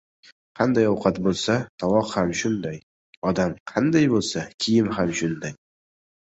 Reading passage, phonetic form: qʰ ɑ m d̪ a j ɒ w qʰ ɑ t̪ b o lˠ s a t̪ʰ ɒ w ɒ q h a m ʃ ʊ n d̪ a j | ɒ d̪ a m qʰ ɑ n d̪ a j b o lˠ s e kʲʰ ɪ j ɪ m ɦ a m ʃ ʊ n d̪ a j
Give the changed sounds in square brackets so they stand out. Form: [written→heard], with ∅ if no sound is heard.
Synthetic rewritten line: qʰ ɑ [m→n] d̪ a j ɒ w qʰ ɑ t̪ b o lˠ s a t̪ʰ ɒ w ɒ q h a m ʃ ʊ n d̪ a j | ɒ d̪ a m qʰ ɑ n d̪ a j b o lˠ s [e→a] kʲʰ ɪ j ɪ m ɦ a m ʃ ʊ n d̪ a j